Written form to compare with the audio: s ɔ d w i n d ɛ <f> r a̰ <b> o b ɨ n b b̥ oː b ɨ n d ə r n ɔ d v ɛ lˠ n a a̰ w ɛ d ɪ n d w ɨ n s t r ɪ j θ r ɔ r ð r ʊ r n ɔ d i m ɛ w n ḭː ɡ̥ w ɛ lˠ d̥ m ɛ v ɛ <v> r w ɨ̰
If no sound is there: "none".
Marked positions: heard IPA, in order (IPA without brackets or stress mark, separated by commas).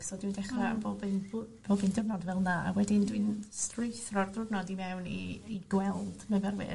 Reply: χ, b, none